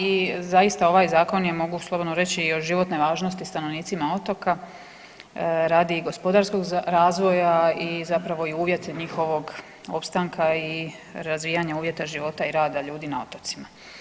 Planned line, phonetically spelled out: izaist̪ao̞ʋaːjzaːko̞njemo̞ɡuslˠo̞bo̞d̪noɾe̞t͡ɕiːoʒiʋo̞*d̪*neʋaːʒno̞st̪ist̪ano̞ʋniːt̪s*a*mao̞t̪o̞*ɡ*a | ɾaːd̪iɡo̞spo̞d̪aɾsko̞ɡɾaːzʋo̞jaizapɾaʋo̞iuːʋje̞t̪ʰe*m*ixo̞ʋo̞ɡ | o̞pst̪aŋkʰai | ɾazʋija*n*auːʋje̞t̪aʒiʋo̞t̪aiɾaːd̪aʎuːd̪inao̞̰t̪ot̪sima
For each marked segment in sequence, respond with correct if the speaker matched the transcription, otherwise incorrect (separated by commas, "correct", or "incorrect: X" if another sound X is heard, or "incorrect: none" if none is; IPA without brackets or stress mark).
incorrect: t̪, incorrect: i, incorrect: k, incorrect: ɲ, incorrect: ɲ